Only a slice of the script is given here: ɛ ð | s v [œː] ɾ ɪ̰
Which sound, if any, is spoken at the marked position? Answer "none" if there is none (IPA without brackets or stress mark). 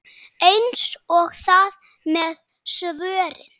œː